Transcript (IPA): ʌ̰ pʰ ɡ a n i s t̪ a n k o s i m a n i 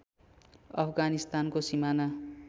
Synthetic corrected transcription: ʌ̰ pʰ ɡ a n i s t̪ a n k o s i m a n a